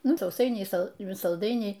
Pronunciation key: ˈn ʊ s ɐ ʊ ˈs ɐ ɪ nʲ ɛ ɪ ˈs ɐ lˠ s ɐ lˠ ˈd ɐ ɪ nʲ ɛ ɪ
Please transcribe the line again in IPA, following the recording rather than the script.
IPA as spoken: ˈn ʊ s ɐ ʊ ˈs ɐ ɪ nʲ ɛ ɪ ˈs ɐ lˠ s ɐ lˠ ˈd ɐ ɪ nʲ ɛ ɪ